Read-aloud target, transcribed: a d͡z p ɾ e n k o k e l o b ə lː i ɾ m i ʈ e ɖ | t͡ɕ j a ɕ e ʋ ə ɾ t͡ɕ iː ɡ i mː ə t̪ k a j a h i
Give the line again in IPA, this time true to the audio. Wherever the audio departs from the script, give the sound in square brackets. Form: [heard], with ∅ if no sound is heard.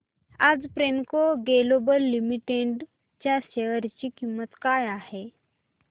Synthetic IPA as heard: a d͡z p ɾ e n k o [ɡ] e l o b ə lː i [∅] m i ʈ e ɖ | t͡ɕ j a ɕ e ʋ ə ɾ t͡ɕ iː [k] i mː ə t̪ k a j a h [e]